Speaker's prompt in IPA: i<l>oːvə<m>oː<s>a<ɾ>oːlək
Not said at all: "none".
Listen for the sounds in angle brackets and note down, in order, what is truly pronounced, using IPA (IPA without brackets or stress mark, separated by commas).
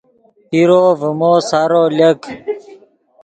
ɾ, m, s, ɾ